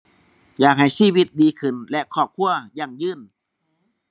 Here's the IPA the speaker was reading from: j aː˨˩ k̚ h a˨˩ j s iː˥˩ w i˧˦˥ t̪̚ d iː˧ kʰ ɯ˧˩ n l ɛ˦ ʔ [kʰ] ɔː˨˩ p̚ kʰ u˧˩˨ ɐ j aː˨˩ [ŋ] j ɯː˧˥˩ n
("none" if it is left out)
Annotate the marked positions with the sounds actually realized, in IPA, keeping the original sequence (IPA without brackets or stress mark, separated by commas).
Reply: kʰ, ŋ